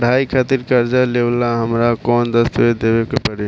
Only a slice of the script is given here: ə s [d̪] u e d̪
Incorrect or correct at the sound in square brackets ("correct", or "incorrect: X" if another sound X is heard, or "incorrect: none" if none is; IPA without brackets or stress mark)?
incorrect: t̪